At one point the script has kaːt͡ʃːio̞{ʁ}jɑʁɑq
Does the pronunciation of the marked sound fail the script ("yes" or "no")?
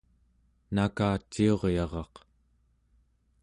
no